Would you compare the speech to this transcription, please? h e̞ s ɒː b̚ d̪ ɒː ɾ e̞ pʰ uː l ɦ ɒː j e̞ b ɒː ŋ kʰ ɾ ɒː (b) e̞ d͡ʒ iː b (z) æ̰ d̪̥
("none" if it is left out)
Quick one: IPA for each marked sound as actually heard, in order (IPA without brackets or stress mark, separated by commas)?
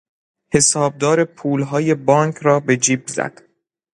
b, z